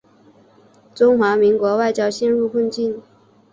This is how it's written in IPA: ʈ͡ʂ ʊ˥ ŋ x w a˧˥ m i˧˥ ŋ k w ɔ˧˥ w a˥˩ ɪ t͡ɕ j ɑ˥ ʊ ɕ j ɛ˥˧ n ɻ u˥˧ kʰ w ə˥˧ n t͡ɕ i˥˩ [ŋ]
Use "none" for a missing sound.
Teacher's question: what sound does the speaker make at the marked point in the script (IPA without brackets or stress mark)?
n